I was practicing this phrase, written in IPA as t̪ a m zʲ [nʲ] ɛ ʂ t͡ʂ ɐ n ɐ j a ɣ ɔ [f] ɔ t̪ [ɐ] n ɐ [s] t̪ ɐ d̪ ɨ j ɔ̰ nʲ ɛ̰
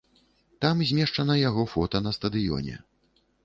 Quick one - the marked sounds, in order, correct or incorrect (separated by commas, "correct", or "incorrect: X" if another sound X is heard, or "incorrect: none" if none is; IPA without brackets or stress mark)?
incorrect: mʲ, correct, correct, correct